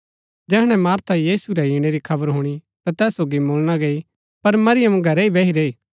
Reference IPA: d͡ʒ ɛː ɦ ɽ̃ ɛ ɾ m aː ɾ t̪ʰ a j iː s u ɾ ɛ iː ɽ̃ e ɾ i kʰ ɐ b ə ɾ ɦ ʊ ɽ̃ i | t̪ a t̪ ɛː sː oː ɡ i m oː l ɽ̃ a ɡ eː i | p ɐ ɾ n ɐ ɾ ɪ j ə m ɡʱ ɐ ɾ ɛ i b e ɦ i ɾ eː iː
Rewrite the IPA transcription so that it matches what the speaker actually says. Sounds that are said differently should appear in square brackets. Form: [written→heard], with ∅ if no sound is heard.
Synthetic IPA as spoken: d͡ʒ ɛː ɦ ɽ̃ ɛ [ɾ→∅] m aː ɾ t̪ʰ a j iː s u ɾ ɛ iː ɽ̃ e ɾ i kʰ ɐ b ə ɾ ɦ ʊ ɽ̃ i | t̪ a t̪ ɛː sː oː ɡ i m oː l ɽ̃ a ɡ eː i | p ɐ ɾ [n→m] ɐ ɾ ɪ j ə m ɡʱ ɐ ɾ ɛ i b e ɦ i ɾ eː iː